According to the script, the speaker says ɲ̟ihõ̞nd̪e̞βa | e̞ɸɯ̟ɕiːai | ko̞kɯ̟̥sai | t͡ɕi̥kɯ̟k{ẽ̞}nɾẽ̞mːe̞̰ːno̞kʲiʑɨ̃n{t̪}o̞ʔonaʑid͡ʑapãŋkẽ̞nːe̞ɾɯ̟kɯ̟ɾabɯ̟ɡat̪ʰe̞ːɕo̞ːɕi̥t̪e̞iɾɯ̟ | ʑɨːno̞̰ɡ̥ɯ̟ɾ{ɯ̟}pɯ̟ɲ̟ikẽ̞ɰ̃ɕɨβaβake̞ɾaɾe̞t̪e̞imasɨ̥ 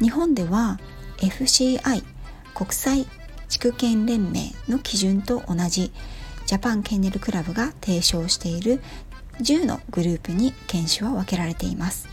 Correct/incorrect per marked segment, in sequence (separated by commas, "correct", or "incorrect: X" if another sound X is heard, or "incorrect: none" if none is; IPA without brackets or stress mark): correct, correct, incorrect: ɯ̟ː